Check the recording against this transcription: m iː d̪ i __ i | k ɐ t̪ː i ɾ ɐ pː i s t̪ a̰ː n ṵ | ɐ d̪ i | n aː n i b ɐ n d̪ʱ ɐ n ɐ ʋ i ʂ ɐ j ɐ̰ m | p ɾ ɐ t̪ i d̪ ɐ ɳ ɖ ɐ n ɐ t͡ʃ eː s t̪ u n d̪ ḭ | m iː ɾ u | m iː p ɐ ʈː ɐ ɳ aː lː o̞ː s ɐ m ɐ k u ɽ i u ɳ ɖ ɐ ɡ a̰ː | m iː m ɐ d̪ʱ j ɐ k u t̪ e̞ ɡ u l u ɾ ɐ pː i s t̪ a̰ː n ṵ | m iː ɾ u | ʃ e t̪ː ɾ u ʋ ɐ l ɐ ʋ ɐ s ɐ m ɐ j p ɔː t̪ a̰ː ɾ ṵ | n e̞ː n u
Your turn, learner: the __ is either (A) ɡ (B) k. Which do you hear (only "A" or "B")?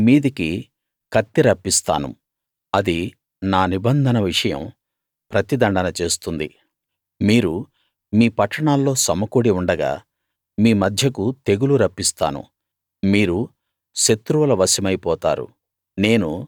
B